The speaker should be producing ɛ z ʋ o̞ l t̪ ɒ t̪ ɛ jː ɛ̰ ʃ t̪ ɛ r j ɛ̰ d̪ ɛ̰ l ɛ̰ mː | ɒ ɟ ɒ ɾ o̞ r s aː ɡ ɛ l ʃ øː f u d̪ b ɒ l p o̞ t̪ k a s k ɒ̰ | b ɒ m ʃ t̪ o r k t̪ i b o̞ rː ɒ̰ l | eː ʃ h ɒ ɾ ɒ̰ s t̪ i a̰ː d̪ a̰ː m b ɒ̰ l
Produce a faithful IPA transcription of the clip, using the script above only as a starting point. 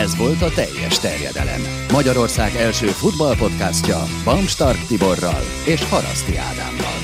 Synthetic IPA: ɛ z ʋ o̞ l t̪ ɒ t̪ ɛ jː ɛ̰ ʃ t̪ ɛ r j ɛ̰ d̪ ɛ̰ l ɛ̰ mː | ɒ ɟ ɒ ɾ o̞ r s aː ɡ ɛ l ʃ øː f u d̪ b ɒ l p o̞ t̪ k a s c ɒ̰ | b ɒ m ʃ t̪ ɒ r k t̪ i b o̞ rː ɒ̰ l | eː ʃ h ɒ ɾ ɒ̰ s t̪ i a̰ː d̪ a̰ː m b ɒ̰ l